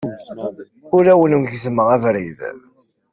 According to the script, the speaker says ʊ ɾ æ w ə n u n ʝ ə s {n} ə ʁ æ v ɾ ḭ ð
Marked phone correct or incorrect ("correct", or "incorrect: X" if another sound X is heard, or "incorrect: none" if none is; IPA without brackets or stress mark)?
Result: incorrect: m